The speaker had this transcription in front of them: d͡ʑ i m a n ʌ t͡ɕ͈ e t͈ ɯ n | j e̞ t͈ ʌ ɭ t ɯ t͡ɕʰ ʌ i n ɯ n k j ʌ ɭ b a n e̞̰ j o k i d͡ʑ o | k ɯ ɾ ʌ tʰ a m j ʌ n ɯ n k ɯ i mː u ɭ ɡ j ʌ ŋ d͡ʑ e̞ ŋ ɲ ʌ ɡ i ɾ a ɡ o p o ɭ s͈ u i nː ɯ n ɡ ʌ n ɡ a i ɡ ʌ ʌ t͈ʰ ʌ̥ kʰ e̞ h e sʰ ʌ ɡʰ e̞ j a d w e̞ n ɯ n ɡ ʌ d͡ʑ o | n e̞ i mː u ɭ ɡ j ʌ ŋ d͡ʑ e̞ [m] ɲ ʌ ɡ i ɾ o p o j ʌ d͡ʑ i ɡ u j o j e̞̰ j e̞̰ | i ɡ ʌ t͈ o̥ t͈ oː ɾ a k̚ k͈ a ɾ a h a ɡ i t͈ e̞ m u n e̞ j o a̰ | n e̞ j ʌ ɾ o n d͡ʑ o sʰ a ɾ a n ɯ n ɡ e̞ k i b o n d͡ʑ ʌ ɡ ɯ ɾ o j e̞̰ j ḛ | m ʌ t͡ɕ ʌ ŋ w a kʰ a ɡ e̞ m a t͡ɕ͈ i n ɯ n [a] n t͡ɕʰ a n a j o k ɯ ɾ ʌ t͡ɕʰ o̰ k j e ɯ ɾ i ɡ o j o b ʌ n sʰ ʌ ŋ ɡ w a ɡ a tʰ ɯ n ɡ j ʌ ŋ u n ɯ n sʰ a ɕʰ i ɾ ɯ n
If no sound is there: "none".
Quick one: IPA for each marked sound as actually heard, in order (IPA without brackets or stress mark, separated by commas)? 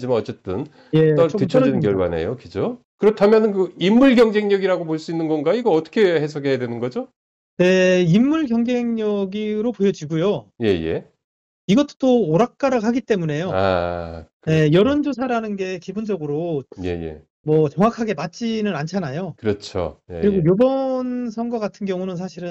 ŋ, a